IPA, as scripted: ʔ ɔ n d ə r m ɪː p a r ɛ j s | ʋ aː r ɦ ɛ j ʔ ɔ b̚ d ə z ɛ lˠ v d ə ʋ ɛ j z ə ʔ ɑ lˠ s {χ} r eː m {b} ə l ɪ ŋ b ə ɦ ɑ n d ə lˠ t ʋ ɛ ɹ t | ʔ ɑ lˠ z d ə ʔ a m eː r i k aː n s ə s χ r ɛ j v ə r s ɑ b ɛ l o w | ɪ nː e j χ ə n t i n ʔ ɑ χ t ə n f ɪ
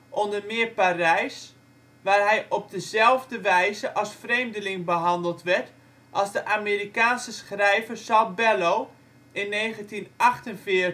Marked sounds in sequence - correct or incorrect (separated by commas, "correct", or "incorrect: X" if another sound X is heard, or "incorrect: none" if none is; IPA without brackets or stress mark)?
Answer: incorrect: f, incorrect: d